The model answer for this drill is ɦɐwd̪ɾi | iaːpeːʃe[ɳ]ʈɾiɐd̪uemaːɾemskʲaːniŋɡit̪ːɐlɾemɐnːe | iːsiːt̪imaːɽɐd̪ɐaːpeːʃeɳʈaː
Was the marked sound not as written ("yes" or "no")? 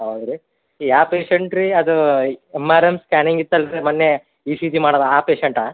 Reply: no